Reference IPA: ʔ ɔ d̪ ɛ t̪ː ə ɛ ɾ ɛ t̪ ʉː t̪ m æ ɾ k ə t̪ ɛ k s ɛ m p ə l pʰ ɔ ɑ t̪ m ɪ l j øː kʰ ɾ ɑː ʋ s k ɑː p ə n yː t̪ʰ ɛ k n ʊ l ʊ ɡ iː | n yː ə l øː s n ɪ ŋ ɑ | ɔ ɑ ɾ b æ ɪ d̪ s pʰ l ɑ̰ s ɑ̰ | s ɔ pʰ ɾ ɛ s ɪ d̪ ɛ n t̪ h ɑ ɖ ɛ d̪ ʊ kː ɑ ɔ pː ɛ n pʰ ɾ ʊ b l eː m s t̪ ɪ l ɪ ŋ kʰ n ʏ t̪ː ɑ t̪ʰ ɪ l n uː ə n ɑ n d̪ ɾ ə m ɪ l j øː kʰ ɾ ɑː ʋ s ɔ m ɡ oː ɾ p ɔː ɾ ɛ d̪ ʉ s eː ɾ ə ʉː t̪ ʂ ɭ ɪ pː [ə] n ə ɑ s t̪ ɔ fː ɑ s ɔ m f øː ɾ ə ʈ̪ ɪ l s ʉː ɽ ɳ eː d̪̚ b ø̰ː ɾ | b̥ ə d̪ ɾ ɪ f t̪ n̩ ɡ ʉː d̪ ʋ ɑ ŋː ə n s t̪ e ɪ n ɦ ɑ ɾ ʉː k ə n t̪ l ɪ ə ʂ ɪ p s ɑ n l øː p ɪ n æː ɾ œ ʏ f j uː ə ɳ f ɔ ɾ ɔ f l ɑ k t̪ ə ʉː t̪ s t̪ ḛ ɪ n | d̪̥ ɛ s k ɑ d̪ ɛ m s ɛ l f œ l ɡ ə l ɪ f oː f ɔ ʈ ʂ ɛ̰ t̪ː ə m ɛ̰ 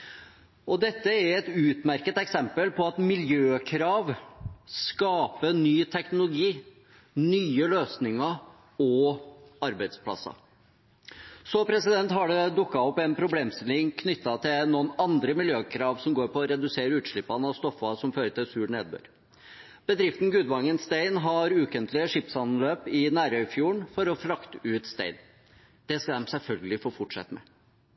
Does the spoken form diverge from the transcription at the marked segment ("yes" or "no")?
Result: yes